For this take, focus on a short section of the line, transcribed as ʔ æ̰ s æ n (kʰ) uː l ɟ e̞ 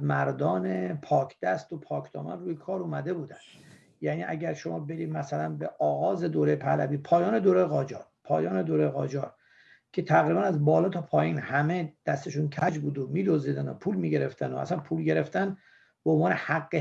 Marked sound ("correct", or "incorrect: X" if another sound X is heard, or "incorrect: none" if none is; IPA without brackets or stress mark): incorrect: pʰ